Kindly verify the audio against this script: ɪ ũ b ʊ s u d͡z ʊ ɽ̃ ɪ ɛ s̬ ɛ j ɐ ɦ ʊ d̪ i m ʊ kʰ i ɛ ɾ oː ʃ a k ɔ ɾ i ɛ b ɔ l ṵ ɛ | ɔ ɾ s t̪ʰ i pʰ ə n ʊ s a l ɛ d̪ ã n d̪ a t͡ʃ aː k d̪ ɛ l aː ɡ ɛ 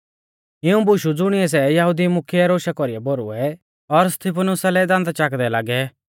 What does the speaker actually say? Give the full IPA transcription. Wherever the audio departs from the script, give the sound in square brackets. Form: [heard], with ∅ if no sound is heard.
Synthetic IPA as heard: ɪ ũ b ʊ [ʃ] u d͡z ʊ ɽ̃ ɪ ɛ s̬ ɛ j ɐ ɦ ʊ d̪ i m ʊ kʰ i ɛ ɾ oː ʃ a k ɔ ɾ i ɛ b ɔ [ɾ] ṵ ɛ | ɔ ɾ s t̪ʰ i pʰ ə n ʊ s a l ɛ d̪ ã n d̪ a t͡ʃ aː k d̪ ɛ l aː ɡ ɛ